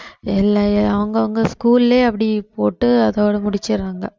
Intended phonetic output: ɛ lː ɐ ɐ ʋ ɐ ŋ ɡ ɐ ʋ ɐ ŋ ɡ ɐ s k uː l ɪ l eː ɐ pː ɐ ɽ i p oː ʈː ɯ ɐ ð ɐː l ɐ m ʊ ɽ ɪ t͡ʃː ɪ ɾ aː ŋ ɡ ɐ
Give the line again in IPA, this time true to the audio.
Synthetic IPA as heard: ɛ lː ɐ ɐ ʋ ɐ ŋ ɡ ɐ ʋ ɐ ŋ ɡ ɐ s k uː l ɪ l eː ɐ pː ɐ ɽ i p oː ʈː ɯ ɐ ð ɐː ɽ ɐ m ʊ ɽ ɪ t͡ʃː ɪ ɾ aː ŋ ɡ ɐ

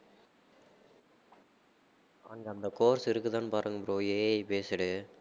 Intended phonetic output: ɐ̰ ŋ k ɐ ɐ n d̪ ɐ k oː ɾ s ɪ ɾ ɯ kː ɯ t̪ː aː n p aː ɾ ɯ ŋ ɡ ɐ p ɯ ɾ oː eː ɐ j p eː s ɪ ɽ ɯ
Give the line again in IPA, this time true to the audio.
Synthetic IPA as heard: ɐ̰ ŋ ɡ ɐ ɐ n d̪ ɐ k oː ɾ s ɪ ɾ ɯ kː ɯ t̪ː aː n p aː ɾ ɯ ŋ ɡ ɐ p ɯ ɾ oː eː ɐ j p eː s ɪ ɽ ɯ

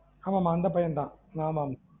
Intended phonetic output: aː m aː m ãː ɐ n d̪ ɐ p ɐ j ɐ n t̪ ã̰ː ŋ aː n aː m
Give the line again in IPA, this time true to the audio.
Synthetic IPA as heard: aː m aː m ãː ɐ n d̪ ɐ p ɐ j ɐ n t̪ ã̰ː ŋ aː m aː m

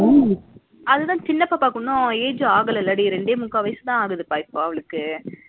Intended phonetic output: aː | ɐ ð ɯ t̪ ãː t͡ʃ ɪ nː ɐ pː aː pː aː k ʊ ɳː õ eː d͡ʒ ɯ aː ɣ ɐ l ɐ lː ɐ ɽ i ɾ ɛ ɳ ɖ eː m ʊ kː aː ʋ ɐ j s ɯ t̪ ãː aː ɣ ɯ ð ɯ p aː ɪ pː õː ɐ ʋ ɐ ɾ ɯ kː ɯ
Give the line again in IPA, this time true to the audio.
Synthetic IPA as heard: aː | ɐ ð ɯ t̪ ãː t͡ʃ ɪ nː ɐ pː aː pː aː k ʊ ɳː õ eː d͡ʒ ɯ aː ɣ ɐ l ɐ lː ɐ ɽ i ɾ ɛ ɳ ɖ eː m ʊ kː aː ʋ ɐ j s ɯ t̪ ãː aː ɣ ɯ ð ɯ p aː ɪ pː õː ɐ ʋ ɐ ɭ ɯ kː ɯ

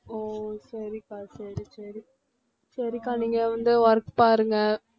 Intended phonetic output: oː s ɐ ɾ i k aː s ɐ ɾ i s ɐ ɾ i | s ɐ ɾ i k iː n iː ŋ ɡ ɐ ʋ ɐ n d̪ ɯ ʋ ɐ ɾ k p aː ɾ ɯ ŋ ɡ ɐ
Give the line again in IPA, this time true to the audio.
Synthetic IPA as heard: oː s ɐ ɾ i k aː s ɐ ɾ i s ɐ ɾ i | s ɐ ɾ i k aː n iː ŋ ɡ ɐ ʋ ɐ n d̪ ɯ ʋ ɐ ɾ k p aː ɾ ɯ ŋ ɡ ɐ

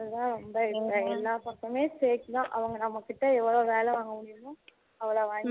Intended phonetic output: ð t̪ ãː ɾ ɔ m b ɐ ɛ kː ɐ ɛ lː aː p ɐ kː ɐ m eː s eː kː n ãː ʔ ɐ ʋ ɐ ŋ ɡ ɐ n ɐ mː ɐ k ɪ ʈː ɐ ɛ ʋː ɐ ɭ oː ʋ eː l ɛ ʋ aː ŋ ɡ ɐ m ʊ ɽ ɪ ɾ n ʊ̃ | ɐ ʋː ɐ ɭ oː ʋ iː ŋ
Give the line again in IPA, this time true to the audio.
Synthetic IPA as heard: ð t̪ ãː ɾ ɔ m b ɐ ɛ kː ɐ ɛ lː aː p ɐ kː ɐ m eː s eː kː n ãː ʔ ɐ ʋ ɐ ŋ ɡ ɐ n ɐ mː ɐ k ɪ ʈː ɐ ɛ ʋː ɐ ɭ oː ʋ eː l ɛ ʋ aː ŋ ɡ ɐ m ʊ ɽ ɪ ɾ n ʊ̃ | ɐ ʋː ɐ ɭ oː ʋ aː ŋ

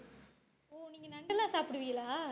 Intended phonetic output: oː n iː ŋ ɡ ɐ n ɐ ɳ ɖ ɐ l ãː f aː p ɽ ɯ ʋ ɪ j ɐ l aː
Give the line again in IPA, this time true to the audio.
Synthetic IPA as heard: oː n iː ŋ ɡ ɐ n ɐ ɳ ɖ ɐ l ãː s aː p ɽ ɯ ʋ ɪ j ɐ l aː

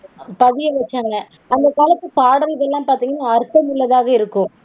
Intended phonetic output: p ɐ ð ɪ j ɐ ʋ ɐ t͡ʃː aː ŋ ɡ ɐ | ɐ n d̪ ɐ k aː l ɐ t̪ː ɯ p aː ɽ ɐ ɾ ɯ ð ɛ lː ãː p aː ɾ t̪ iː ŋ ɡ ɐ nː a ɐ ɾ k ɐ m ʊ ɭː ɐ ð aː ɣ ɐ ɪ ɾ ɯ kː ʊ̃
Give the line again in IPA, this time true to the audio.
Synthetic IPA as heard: p ɐ ð ɪ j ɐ ʋ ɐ t͡ʃː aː ŋ ɡ ɐ | ɐ n d̪ ɐ k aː l ɐ t̪ː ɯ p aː ɽ ɐ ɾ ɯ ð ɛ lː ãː p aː ɾ t̪ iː ŋ ɡ ɐ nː a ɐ ɾ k ɐ m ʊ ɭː ɐ ð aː ɣ ɐ ɪ ɾ ɯ kː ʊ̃

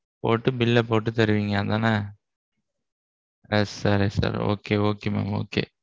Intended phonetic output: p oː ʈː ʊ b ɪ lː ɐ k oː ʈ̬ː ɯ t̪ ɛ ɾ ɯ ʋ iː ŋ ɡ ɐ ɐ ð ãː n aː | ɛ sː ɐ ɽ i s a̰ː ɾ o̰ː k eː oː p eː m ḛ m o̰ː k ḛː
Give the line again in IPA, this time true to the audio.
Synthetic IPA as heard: p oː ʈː ɯ b ɪ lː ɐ p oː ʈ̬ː ɯ t̪ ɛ ɾ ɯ ʋ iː ŋ ɡ ɐ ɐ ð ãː n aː | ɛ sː ɐ ɾ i s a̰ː ɾ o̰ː k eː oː k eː m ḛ m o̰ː k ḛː

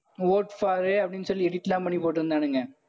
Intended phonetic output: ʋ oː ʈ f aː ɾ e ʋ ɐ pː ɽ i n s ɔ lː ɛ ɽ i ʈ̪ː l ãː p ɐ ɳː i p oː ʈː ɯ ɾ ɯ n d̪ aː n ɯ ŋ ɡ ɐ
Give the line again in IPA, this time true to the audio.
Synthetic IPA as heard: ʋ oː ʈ f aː ɾ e ɐ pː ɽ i n s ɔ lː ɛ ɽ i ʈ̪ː l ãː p ɐ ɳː i p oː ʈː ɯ ɾ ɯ n d̪ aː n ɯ ŋ ɡ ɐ

